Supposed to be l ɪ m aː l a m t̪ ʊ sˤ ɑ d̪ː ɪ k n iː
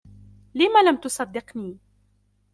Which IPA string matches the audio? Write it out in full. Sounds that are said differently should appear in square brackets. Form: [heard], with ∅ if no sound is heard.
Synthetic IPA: l ɪ m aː l a m t̪ ʊ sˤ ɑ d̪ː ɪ [q] n iː